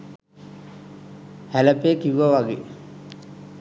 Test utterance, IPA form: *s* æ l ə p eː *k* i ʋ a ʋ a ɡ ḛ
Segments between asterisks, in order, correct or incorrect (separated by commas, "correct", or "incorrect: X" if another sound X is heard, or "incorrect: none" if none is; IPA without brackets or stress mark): incorrect: h, correct